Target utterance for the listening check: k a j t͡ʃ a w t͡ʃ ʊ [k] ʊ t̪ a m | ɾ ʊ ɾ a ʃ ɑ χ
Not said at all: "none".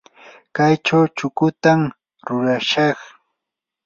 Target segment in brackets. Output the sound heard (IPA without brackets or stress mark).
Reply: k